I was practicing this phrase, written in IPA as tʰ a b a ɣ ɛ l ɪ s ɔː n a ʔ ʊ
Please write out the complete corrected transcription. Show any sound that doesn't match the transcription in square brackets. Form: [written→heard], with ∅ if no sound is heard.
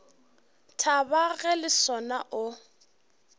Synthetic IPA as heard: tʰ a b a ɣ ɛ l ɪ s [ɔː→ɔ] n a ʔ ʊ